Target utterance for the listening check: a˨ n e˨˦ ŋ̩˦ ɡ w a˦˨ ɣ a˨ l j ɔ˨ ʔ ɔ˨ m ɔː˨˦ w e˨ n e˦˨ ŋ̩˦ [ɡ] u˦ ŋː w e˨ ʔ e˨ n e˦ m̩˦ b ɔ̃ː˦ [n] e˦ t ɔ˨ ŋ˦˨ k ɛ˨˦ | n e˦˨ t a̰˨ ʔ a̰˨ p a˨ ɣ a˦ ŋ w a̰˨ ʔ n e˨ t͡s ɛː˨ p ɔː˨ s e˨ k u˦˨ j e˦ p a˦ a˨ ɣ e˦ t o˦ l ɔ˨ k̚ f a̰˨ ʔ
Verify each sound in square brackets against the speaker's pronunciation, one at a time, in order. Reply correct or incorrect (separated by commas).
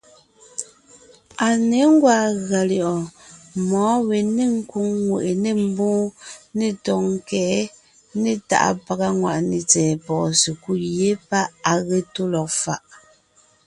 incorrect, correct